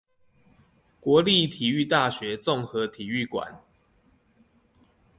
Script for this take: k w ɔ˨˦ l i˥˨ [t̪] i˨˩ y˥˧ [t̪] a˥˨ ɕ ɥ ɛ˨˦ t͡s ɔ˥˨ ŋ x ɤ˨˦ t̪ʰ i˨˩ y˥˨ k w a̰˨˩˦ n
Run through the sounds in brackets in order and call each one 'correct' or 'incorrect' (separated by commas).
incorrect, correct